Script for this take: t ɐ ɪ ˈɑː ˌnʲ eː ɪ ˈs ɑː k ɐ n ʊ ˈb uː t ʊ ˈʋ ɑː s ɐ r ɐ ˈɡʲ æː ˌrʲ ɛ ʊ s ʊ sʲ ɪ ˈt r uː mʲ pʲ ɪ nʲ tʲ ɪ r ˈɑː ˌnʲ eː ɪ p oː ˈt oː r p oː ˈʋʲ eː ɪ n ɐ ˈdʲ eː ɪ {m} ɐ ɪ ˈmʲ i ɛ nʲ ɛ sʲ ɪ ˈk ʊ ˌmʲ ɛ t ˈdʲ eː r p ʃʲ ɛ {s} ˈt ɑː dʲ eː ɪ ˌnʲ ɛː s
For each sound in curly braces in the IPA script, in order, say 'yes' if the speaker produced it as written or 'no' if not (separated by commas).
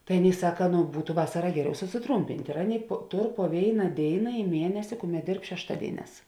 no, no